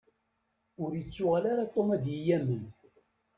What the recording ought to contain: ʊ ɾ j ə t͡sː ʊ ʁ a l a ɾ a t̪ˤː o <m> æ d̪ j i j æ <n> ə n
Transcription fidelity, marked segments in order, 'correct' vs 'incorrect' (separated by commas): correct, incorrect